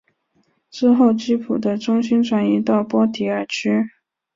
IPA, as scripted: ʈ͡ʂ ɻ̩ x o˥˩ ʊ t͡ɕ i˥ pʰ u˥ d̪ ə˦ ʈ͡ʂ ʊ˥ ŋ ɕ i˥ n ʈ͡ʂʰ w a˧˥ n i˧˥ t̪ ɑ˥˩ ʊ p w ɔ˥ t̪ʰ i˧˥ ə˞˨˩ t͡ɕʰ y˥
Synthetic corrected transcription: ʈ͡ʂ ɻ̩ x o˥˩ ʊ t͡ɕ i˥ pʰ u˨˩ d̪ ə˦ ʈ͡ʂ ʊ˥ ŋ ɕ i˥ n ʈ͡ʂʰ w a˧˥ n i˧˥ t̪ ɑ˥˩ ʊ p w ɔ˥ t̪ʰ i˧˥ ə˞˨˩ t͡ɕʰ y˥